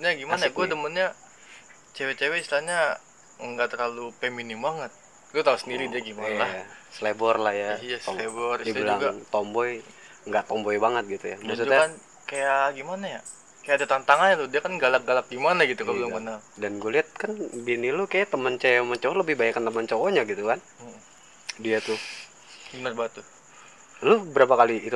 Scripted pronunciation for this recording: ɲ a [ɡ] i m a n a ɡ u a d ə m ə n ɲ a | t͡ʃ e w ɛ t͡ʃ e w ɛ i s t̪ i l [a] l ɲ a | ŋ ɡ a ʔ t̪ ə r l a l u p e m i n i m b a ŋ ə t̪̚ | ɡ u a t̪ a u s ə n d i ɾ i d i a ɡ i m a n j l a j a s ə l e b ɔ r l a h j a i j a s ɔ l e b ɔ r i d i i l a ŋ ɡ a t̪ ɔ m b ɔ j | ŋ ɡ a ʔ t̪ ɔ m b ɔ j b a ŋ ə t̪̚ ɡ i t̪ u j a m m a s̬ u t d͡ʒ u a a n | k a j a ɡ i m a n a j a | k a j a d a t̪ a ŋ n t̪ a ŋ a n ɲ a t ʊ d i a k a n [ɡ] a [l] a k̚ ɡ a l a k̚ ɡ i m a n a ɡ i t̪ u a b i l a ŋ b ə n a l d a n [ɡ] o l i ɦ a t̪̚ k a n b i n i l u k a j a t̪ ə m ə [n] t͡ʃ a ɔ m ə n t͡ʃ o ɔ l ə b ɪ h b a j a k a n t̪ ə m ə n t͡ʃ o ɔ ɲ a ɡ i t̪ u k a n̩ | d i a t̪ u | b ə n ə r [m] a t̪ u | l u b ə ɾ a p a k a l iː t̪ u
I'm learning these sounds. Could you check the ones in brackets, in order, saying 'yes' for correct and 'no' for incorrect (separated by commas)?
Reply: yes, yes, yes, yes, yes, yes, no